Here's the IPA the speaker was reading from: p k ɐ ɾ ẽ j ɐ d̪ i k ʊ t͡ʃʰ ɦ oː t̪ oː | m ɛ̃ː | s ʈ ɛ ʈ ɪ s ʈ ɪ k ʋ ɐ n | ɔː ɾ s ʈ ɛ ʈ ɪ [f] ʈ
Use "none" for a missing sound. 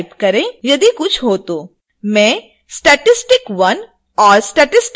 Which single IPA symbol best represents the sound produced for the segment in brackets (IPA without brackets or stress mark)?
s